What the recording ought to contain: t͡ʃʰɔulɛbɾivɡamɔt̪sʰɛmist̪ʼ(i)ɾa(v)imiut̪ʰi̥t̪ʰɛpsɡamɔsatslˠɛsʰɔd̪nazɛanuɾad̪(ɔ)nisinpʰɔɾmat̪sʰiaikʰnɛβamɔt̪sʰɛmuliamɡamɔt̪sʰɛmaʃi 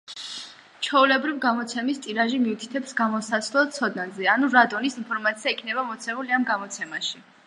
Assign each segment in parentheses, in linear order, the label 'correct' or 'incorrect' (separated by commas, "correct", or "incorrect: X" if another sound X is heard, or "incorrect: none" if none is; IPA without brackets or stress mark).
correct, incorrect: ʒ, correct